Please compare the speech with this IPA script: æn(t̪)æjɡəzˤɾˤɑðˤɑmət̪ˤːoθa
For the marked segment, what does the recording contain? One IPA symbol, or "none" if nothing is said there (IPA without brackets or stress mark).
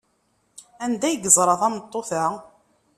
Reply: d̪